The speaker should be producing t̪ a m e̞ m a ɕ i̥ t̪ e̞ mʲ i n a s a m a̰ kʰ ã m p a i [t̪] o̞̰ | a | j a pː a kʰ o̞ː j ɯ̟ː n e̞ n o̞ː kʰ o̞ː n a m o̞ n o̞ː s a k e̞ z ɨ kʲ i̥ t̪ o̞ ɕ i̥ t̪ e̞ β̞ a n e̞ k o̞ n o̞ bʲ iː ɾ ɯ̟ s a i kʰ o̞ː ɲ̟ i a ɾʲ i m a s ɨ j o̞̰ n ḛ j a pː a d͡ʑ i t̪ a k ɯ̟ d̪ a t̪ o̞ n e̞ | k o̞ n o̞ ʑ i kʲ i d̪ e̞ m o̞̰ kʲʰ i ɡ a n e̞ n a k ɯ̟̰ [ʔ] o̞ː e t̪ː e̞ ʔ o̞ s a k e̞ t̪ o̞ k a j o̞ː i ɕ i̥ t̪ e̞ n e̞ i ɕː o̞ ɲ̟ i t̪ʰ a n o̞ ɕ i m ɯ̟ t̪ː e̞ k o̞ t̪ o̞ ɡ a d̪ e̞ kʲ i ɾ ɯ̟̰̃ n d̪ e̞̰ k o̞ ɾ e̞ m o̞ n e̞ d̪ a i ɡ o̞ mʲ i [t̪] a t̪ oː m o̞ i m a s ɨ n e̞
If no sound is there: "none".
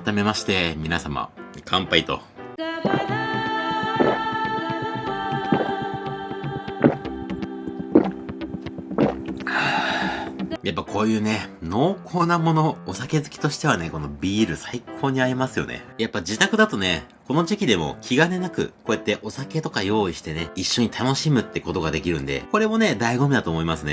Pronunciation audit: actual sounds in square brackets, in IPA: t̪, k, d̪

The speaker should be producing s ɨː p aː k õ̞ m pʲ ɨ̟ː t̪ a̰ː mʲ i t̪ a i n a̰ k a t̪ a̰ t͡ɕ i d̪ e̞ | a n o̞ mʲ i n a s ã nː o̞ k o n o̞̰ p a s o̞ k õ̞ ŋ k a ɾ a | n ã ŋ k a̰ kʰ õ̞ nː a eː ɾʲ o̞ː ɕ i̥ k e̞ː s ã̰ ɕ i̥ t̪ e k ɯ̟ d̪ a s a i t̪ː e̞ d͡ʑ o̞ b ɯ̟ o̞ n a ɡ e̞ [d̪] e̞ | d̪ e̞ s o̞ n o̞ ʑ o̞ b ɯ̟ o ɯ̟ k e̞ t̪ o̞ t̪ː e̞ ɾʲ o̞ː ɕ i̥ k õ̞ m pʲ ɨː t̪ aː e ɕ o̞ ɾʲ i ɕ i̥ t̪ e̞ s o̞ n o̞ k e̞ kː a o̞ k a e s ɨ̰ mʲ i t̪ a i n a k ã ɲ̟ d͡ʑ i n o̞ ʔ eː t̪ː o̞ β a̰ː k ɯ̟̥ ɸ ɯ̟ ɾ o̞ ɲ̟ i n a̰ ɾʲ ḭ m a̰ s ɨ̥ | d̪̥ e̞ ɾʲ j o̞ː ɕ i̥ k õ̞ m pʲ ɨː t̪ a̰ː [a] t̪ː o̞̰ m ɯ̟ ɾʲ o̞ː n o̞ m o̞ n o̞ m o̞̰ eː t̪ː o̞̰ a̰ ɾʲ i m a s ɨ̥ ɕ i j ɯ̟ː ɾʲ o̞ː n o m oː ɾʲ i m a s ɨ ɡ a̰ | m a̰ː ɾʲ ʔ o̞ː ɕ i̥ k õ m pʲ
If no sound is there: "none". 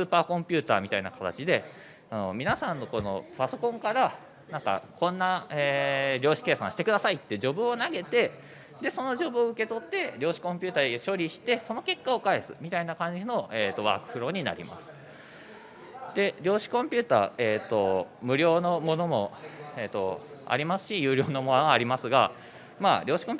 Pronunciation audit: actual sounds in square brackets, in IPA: t̪, e

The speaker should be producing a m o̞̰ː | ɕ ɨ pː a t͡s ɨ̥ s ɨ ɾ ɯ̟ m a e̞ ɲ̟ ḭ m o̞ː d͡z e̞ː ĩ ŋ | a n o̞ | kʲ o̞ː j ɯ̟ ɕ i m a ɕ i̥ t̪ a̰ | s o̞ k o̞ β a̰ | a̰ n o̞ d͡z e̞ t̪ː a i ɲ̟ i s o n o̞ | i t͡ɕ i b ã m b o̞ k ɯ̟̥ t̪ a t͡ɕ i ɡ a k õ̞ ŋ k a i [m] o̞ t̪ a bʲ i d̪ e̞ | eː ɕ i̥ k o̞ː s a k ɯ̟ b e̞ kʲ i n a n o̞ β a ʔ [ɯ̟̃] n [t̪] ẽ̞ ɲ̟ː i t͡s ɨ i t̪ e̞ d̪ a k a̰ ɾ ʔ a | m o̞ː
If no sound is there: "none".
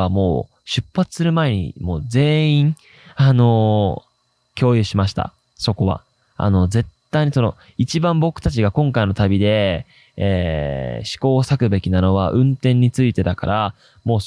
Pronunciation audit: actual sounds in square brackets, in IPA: n, ɯ̟̃, t̪

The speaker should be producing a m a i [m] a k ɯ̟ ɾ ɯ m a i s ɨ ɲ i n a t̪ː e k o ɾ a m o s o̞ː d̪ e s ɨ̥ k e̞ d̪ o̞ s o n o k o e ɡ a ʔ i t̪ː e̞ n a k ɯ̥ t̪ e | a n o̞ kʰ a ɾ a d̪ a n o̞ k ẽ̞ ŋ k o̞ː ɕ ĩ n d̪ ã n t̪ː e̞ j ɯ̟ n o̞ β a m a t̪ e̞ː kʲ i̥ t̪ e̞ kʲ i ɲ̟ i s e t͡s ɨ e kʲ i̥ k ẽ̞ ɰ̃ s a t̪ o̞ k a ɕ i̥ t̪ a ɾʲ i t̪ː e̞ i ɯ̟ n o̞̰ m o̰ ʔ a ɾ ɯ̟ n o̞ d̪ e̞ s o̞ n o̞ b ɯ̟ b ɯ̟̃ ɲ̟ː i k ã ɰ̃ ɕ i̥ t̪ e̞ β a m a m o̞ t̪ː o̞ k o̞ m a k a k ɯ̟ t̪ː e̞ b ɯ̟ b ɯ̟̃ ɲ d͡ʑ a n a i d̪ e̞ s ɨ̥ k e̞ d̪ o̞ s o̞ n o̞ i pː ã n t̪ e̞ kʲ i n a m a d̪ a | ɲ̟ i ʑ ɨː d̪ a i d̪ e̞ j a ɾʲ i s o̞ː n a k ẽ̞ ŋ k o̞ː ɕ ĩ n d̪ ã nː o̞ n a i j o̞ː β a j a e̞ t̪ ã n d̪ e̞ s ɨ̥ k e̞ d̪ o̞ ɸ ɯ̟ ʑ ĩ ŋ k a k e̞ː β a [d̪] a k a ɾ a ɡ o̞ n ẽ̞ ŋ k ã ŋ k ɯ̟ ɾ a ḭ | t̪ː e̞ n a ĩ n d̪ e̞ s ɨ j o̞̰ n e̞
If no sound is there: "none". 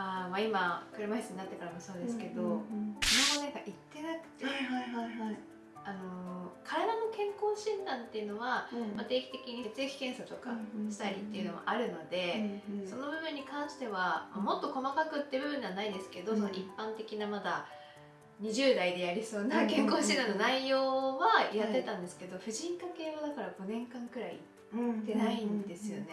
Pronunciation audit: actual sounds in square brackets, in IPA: m, d̪

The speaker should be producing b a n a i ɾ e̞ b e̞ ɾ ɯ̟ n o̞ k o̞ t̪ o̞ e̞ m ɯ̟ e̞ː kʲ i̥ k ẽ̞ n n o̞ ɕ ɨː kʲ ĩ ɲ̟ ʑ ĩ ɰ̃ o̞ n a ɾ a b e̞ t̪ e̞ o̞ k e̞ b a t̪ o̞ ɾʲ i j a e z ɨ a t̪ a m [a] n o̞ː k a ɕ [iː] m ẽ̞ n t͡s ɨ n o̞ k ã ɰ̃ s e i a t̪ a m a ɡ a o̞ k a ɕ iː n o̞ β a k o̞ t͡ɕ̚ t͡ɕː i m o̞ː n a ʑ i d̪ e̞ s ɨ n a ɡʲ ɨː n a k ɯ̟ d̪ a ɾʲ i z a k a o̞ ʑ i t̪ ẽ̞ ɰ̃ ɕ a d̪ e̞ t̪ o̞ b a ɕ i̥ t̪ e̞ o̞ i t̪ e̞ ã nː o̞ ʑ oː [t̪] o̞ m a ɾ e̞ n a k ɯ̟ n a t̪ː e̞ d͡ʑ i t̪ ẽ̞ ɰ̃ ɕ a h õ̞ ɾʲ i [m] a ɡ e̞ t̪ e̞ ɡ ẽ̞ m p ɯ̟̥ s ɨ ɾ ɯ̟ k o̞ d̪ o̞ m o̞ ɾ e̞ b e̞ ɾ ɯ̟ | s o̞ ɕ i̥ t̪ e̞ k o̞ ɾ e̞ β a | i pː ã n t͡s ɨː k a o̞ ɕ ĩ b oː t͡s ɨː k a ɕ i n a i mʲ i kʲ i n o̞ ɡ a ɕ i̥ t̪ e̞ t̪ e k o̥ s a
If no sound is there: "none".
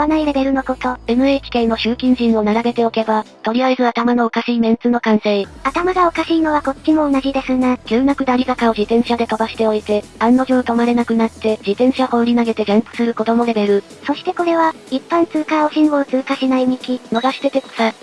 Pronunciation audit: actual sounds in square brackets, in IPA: a, iː, t̪, n

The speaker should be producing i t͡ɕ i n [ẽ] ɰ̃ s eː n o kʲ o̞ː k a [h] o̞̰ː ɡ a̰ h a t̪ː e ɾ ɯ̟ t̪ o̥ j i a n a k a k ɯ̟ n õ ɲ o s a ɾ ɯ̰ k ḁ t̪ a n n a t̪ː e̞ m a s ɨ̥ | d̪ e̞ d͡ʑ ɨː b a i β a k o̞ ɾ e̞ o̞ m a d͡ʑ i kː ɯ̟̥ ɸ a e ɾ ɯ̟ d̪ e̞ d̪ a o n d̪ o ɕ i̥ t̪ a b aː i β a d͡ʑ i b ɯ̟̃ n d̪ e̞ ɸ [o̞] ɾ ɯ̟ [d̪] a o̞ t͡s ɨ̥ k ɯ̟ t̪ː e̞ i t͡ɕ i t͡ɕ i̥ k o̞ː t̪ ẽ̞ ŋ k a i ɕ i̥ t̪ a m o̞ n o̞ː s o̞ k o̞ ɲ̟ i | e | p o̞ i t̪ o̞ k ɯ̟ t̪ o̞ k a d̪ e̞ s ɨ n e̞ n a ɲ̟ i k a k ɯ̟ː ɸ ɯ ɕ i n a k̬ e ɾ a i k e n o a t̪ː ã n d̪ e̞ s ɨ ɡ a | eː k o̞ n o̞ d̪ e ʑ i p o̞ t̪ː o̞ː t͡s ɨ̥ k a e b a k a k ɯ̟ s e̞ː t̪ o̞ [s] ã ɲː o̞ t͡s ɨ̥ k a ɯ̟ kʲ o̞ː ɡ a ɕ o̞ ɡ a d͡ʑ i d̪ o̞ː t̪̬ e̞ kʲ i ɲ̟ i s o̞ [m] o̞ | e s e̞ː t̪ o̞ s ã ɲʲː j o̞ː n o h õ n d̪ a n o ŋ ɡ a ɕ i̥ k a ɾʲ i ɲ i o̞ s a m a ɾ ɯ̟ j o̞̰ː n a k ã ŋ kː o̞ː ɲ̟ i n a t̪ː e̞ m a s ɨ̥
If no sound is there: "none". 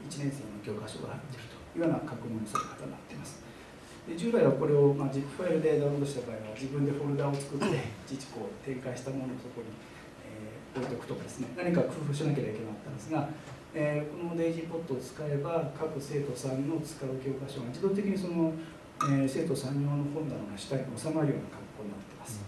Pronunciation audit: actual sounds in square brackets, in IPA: ẽ, ɕ, o̞, d̪, s, n

